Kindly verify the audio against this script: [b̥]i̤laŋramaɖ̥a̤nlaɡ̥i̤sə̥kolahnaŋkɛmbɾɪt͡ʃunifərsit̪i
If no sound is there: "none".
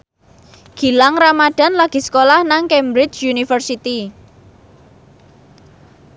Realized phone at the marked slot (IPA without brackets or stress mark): ɡ̥